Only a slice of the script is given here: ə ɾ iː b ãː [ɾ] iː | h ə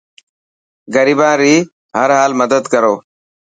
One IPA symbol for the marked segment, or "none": ɾ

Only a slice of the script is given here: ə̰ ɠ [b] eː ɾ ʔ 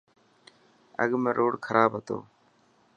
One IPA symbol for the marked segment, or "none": m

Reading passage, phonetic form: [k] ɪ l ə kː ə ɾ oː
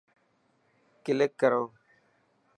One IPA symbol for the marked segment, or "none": k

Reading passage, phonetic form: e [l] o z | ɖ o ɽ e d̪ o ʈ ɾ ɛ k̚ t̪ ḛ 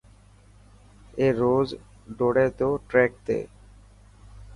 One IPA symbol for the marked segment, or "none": ɾ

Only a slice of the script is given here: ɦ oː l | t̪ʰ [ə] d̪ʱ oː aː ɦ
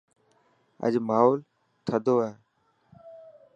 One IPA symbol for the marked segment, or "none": ə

